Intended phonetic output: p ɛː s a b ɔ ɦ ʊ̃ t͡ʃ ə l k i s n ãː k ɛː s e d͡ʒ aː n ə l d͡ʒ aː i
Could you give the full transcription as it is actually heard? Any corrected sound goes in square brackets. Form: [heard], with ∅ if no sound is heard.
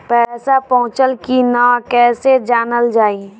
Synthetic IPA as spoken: p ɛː s a [p] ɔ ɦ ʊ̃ t͡ʃ ə l k i [∅] n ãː k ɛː s e d͡ʒ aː n ə l d͡ʒ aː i